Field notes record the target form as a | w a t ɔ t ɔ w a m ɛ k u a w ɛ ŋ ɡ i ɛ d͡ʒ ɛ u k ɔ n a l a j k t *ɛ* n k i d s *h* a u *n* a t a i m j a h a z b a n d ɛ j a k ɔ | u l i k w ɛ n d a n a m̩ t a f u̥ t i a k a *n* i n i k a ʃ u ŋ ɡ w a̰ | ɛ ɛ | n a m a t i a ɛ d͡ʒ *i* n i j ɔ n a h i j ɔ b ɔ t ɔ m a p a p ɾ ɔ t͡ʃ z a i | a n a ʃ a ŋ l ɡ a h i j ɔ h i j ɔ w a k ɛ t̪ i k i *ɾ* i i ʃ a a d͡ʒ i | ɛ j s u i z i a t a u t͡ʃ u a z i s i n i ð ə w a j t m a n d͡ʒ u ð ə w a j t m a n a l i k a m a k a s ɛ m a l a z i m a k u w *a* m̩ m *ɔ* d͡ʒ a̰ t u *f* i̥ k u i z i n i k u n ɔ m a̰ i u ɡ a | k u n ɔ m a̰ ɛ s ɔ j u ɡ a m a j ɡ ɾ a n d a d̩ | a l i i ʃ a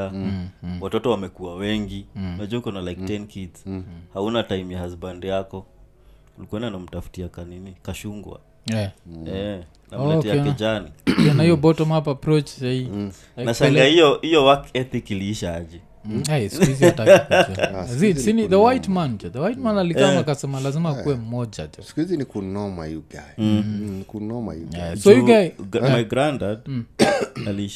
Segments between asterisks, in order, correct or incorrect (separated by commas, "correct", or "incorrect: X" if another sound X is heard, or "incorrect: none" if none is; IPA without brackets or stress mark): correct, correct, correct, correct, incorrect: a, incorrect: l, incorrect: ɛ, correct, incorrect: s